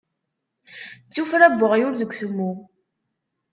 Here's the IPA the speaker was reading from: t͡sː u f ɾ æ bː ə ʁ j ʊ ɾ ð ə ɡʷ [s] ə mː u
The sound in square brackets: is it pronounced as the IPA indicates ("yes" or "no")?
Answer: no